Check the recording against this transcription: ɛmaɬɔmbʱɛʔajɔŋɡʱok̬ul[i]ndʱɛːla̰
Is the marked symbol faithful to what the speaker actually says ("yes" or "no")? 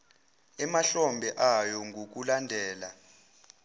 no